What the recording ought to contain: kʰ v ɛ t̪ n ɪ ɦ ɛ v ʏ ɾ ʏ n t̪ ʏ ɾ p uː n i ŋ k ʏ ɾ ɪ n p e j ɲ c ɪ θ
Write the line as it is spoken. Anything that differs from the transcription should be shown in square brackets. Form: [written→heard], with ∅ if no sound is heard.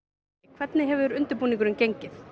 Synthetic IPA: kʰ v ɛ t̪ n ɪ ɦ ɛ v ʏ ɾ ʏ n t̪ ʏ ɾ p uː n i ŋ k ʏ ɾ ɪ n [p→c] e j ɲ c ɪ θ